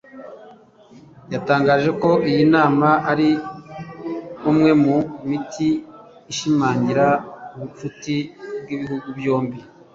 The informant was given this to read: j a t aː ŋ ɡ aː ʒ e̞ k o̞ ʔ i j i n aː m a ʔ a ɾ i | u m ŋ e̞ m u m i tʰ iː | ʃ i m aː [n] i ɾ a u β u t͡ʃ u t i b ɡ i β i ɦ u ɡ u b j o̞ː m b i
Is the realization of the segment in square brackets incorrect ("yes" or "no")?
yes